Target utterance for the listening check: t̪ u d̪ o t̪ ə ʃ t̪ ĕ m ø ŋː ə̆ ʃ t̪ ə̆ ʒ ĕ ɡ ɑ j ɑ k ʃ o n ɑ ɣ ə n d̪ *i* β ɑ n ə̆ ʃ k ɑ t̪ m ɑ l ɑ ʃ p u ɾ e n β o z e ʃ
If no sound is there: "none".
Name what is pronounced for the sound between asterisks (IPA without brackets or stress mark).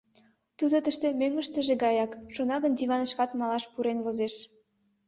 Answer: i